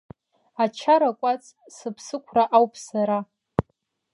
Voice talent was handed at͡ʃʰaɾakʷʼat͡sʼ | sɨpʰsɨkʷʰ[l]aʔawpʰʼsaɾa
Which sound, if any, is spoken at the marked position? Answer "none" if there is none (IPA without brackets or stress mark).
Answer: r